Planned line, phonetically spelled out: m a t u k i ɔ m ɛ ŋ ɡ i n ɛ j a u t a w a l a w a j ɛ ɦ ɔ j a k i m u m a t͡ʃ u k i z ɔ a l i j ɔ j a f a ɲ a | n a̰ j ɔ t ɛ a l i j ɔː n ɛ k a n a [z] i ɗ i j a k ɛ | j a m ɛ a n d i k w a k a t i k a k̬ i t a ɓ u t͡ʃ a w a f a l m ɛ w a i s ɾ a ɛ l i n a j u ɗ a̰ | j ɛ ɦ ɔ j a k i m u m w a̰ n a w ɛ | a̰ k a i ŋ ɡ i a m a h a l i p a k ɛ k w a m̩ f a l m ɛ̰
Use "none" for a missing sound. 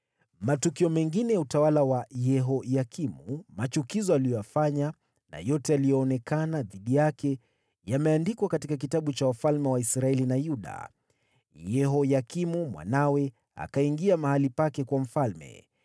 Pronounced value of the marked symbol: ð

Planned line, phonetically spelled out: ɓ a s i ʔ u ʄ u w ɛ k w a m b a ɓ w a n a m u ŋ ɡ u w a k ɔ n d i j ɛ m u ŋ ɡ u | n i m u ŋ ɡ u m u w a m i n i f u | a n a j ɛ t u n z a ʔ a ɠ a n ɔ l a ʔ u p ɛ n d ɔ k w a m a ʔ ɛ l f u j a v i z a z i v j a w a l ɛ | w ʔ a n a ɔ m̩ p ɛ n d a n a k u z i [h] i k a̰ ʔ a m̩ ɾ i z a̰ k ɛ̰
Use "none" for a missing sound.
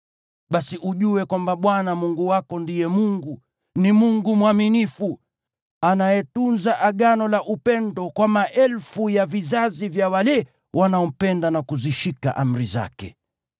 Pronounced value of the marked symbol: ʃ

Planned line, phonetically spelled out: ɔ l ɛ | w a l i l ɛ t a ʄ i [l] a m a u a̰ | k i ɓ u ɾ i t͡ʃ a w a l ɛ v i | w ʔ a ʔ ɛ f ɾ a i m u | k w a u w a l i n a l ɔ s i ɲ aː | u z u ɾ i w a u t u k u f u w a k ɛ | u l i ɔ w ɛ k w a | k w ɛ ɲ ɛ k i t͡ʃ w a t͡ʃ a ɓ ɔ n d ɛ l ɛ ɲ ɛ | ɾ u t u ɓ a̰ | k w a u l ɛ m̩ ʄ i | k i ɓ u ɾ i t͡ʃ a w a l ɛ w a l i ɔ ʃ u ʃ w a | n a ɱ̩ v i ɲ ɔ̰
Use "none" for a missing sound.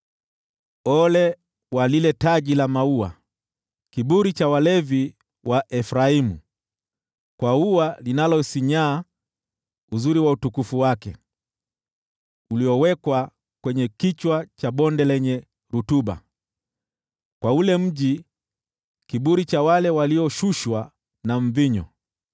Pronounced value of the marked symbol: l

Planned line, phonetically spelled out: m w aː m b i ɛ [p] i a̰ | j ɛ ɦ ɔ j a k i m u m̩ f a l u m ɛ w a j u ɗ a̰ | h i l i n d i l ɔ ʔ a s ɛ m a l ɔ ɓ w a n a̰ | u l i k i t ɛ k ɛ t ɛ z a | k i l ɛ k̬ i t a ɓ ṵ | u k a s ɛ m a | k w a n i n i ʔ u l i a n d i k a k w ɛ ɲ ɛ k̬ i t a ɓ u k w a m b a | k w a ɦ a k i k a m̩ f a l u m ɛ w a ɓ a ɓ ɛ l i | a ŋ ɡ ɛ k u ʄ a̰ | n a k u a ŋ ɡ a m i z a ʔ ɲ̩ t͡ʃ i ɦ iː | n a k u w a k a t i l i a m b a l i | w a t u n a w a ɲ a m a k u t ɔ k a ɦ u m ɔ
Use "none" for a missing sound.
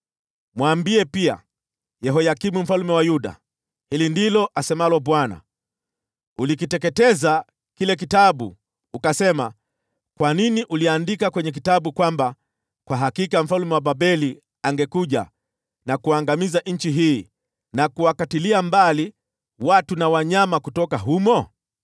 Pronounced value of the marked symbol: p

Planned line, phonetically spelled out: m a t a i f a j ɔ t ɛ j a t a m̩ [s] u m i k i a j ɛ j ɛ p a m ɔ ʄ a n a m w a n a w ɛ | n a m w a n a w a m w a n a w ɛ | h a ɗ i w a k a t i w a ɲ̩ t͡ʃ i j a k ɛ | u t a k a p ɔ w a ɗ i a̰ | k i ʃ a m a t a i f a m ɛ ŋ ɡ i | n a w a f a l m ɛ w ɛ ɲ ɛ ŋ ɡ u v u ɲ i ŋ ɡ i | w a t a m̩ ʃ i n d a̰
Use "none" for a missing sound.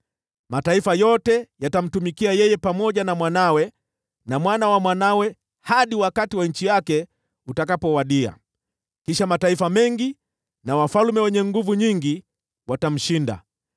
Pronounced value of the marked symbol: t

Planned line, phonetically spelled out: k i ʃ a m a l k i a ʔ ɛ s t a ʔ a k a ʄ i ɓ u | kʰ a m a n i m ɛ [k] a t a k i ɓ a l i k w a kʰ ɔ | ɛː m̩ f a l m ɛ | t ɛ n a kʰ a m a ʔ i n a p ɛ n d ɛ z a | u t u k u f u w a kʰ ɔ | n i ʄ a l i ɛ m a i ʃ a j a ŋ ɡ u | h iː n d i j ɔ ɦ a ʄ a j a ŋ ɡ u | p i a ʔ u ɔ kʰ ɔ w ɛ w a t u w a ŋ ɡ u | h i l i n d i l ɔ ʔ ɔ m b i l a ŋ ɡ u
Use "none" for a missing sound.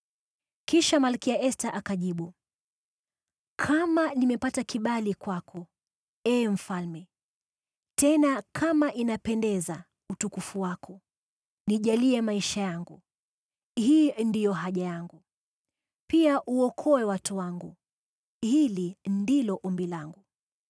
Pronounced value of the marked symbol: p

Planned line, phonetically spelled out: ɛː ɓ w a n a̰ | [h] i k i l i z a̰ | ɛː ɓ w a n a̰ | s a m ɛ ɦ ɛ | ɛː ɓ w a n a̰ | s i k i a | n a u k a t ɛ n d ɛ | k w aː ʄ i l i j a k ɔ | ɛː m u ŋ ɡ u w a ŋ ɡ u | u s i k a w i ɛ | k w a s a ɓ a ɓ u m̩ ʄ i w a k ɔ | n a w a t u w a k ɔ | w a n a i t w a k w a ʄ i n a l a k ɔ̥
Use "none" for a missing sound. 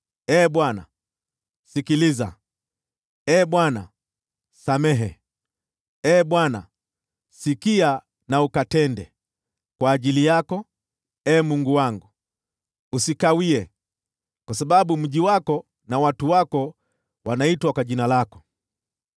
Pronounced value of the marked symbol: s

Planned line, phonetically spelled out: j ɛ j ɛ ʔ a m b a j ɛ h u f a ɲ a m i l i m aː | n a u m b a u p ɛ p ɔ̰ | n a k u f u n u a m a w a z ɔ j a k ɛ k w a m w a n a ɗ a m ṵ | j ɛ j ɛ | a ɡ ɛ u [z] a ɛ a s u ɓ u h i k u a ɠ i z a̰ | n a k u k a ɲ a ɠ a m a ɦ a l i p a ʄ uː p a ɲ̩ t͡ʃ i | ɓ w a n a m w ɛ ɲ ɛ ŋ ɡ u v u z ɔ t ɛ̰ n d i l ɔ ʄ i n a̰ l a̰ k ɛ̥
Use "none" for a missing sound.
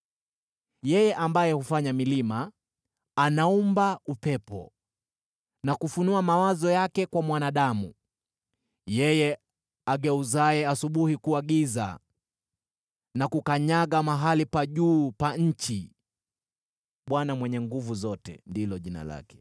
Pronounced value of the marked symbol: z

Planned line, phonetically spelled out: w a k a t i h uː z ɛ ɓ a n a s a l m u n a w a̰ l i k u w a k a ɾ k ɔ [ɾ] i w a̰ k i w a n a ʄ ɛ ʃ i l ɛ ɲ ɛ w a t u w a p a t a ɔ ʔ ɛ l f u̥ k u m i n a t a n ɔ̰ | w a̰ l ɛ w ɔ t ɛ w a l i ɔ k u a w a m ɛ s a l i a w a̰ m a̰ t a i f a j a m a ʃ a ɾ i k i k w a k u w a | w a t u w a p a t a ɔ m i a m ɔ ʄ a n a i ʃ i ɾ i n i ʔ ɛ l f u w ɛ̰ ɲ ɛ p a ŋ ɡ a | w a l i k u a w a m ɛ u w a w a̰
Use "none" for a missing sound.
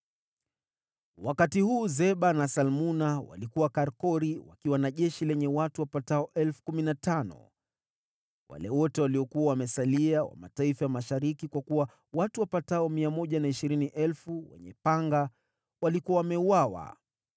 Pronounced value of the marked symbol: ɾ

